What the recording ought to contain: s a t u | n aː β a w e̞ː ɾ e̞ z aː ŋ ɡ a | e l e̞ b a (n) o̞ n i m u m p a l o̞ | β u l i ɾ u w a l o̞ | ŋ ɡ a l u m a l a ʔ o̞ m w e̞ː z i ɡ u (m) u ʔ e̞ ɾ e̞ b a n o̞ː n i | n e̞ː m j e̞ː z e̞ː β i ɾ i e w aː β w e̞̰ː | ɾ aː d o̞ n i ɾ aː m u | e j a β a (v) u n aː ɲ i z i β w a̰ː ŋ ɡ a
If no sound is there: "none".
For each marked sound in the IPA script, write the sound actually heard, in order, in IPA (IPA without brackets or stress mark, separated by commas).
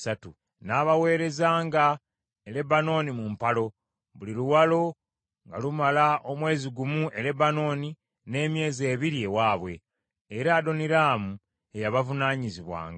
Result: n, m, v